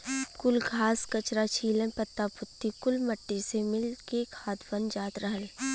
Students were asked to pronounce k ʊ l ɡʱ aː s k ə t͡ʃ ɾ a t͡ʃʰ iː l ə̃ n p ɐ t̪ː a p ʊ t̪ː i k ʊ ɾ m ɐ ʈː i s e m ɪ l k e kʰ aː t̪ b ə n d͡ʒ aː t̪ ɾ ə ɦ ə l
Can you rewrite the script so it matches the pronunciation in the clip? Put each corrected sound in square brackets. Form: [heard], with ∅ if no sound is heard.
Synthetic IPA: k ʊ l ɡʱ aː s k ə t͡ʃ ɾ a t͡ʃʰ iː l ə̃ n p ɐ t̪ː a p ʊ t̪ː i k ʊ [l] m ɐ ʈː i s e m ɪ l k e kʰ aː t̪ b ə n d͡ʒ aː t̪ ɾ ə ɦ ə l